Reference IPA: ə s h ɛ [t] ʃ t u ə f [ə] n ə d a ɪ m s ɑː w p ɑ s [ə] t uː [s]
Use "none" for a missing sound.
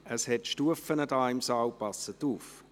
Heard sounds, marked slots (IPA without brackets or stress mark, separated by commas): t, ə, ə, f